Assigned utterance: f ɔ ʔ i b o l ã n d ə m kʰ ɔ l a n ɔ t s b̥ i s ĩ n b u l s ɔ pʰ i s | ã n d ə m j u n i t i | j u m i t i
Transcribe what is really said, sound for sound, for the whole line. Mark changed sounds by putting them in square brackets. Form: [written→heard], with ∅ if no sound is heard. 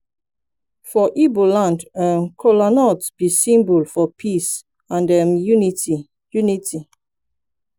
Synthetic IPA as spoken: f ɔ ʔ i b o l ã n d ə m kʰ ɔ l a n ɔ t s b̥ i s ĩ [n→m] b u l [s→f] ɔ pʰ i s | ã n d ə m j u n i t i | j u [m→n] i t i